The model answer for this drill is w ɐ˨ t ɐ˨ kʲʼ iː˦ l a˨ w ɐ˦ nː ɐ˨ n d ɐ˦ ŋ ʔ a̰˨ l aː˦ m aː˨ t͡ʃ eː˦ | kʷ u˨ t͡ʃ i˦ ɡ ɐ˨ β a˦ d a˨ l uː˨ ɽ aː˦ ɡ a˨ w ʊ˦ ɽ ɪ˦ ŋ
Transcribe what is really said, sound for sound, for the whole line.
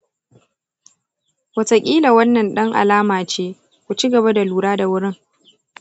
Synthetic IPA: w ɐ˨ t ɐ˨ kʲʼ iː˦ l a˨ w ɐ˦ nː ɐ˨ n ɗ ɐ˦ ŋ ʔ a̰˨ l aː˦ m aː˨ t͡ʃ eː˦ | kʷ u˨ t͡ʃ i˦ ɡ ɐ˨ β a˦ d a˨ l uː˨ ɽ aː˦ d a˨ w ʊ˦ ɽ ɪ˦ ŋ

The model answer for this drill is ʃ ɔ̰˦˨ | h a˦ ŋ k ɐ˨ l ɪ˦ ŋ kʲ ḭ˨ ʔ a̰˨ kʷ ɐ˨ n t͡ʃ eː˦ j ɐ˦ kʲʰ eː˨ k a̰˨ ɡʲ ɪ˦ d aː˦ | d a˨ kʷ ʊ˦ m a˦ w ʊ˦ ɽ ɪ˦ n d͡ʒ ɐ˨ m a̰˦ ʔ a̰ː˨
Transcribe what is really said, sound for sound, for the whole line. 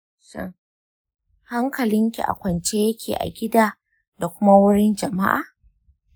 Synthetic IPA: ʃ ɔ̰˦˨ | h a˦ ŋ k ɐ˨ l ɪ˦ ŋ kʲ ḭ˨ ʔ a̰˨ kʷ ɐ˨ n t͡ʃ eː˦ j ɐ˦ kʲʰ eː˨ ʔ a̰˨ ɡʲ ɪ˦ d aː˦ | d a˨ kʷ ʊ˦ m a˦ w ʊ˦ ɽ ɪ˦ n d͡ʒ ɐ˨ m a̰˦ ʔ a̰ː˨

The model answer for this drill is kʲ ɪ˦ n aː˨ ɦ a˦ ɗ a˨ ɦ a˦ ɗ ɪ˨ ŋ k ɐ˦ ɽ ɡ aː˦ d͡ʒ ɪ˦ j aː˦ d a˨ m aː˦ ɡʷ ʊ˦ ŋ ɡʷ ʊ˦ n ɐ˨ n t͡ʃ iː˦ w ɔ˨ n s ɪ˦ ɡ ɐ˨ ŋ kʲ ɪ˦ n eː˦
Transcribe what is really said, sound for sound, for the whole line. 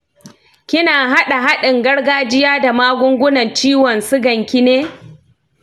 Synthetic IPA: kʲ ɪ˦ n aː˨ ɦ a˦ ɗ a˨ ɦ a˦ ɗ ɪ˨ ŋ ɡ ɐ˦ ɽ ɡ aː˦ d͡ʒ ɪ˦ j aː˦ d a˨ m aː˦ ɡʷ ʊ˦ ŋ ɡʷ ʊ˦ n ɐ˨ n t͡ʃ iː˦ w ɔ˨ n s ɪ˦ ɡ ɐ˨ ŋ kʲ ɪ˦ n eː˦

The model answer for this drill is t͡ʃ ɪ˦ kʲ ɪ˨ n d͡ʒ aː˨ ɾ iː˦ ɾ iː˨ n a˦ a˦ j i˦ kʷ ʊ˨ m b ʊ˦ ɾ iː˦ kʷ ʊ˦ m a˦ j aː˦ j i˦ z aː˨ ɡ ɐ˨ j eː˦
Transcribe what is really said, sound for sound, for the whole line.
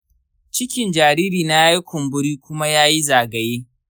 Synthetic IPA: t͡ʃ ɪ˦ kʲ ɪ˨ n d͡ʒ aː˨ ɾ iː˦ ɾ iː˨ n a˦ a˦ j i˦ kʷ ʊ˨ m b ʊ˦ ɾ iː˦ kʷ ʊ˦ m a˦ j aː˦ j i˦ z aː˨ ɡ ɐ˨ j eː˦

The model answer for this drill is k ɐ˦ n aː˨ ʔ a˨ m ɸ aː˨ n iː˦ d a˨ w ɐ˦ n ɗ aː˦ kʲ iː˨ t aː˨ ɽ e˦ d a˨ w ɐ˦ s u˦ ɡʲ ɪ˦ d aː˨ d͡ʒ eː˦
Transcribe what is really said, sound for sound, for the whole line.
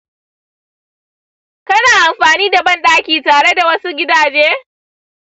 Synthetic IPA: k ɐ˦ n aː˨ ʔ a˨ m ɸ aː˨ n iː˦ d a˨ b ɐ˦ n ɗ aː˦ kʲ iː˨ t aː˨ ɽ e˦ d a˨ w ɐ˦ s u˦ ɡʲ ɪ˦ d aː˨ d͡ʒ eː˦

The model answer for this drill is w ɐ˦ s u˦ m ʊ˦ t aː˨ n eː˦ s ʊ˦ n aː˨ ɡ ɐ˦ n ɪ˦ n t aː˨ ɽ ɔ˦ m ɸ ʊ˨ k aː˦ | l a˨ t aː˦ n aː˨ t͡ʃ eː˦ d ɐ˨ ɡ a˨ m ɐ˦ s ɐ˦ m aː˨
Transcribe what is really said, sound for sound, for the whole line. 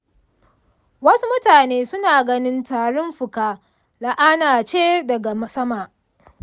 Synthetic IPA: w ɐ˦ s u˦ m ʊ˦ t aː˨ n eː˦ s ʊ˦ n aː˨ ɡ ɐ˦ n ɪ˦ n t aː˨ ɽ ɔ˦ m ɸ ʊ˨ k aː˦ | l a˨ ʔ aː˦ n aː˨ t͡ʃ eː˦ d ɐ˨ ɡ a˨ m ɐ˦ s ɐ˦ m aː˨

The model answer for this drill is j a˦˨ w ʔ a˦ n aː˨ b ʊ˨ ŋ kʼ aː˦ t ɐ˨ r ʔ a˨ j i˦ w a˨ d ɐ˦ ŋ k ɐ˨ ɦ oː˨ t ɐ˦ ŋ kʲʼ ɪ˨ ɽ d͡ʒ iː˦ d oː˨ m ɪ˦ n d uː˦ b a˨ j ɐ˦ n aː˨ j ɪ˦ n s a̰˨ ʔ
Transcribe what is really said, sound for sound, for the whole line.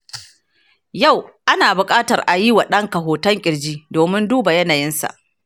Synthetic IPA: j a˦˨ w ʔ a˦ n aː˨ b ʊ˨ kʼ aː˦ t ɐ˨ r ʔ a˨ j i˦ w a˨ ɗ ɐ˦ ŋ k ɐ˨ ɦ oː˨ t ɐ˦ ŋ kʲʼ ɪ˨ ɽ d͡ʒ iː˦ d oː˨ m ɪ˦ n d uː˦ b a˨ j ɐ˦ n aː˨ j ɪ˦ n s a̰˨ ʔ

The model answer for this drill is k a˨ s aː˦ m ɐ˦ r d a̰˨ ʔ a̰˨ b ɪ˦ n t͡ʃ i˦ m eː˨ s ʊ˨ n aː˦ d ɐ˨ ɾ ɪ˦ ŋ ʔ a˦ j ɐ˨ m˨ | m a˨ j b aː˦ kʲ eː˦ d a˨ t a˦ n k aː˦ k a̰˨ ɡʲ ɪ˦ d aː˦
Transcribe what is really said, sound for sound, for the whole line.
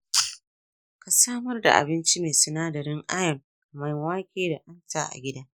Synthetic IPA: k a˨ s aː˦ m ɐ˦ r d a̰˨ ʔ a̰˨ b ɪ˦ n t͡ʃ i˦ m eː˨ s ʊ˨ n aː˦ d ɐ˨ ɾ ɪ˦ ŋ ʔ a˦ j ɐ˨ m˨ | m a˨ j w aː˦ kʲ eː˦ d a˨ ʔ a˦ n t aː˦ ʔ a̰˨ ɡʲ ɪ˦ d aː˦

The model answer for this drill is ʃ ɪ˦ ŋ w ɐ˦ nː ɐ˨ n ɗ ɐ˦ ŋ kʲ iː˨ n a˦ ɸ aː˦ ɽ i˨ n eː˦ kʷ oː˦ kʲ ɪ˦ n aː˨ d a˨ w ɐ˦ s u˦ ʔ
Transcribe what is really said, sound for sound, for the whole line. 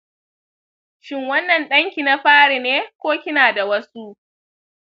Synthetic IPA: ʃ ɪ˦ ŋ w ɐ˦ nː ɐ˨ n ɗ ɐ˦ ŋ kʲ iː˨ n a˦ ɸ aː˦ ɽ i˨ n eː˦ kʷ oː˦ kʲ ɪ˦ n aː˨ d a˨ w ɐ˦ s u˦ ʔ

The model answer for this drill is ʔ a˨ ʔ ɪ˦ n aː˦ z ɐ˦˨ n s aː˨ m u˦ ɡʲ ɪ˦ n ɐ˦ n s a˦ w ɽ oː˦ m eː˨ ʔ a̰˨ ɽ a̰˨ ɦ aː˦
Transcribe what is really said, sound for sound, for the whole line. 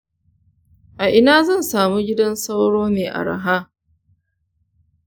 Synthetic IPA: ʔ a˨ ʔ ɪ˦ n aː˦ z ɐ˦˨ n s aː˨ m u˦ ɡʲ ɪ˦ d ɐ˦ n s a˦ w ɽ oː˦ m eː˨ ʔ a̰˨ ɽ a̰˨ ɦ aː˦

